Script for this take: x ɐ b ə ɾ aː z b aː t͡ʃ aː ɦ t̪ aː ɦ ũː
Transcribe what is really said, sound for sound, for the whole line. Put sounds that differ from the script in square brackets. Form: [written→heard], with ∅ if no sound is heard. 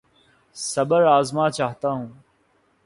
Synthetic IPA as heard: [x→s] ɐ b ə ɾ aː z [b→m] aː t͡ʃ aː ɦ t̪ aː ɦ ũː